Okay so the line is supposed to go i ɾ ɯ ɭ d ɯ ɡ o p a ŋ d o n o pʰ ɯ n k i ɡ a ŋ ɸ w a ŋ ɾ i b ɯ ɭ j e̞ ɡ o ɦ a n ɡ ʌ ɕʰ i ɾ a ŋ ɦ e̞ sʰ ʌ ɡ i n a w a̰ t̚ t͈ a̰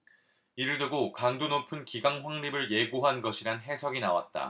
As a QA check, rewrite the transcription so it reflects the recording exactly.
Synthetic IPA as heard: i ɾ ɯ ɭ d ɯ ɡ o k a ŋ d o n o pʰ ɯ n k i ɡ a ŋ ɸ w a ŋ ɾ i b ɯ ɭ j e̞ ɡ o ɦ a n ɡ ʌ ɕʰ i ɾ a n ɦ e̞ sʰ ʌ ɡ i n a w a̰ t̚ t͈ a̰